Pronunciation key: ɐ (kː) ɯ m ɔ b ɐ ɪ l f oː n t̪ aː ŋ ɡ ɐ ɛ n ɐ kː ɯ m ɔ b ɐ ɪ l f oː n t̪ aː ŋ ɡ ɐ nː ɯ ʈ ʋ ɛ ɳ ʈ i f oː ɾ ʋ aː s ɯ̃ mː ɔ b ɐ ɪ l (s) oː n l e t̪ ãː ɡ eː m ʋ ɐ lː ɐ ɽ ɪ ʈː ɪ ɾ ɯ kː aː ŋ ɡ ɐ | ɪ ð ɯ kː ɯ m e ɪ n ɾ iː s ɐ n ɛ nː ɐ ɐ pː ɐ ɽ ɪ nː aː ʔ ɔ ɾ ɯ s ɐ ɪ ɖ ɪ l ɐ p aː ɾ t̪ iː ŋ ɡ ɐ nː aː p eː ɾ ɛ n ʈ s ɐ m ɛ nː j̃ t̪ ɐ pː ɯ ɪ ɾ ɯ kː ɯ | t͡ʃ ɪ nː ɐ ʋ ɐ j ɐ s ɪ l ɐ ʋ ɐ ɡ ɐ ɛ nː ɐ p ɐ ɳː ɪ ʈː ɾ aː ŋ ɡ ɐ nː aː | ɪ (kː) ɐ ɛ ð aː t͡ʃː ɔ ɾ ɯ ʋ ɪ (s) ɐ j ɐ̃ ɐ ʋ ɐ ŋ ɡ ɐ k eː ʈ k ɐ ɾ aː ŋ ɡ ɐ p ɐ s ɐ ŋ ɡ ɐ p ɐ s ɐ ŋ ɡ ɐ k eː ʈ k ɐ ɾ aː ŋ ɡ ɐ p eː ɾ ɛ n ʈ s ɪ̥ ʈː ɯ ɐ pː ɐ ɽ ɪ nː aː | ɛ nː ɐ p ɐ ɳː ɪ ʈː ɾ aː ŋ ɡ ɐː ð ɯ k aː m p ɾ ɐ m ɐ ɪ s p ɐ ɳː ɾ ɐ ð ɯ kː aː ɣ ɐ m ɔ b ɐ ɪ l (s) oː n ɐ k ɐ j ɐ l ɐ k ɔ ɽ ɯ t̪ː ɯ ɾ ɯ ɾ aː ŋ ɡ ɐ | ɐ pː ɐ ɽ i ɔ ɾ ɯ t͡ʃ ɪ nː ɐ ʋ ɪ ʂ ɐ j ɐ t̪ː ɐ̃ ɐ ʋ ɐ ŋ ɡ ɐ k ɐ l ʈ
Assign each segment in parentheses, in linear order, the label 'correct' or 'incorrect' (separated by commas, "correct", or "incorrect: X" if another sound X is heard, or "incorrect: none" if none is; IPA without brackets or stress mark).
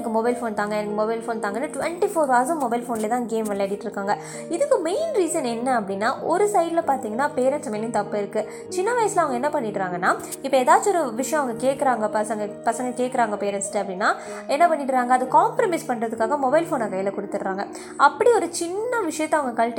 correct, incorrect: f, incorrect: pː, incorrect: ʂ, incorrect: f